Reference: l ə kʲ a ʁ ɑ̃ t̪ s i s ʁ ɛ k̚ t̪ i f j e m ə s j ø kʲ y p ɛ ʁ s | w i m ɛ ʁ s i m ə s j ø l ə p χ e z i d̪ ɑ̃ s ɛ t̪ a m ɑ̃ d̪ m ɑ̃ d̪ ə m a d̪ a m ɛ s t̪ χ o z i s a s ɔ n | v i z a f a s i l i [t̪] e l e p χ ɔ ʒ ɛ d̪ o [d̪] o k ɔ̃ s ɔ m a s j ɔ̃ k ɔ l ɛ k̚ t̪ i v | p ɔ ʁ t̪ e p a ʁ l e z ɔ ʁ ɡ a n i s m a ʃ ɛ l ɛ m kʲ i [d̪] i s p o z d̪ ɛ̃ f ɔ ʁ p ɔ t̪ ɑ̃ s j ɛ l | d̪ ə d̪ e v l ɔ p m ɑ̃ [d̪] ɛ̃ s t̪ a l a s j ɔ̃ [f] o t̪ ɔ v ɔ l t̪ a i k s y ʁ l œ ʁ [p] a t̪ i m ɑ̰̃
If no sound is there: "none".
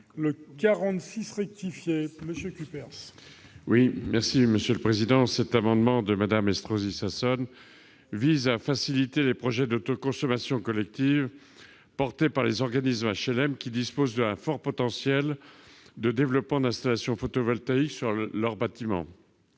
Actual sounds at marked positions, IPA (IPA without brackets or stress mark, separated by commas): t̪, t̪, d̪, d̪, f, b